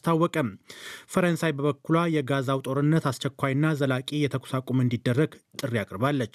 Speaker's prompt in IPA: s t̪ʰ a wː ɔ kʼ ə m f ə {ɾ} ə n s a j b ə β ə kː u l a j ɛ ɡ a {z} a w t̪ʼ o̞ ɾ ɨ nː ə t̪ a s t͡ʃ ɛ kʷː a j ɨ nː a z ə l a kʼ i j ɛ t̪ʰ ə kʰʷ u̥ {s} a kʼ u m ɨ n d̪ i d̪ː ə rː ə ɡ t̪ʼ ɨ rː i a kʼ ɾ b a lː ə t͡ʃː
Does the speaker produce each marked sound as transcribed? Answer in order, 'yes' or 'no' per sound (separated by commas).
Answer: yes, yes, yes